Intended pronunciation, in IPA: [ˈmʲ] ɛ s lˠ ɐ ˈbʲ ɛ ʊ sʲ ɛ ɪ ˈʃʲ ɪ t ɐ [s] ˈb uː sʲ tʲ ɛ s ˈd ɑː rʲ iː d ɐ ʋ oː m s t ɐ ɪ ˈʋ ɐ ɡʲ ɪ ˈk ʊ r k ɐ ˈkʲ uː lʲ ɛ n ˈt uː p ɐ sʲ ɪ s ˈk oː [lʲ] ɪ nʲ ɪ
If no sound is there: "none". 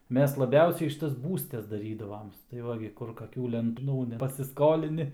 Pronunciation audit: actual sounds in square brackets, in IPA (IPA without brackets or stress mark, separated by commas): mʲ, s, lʲ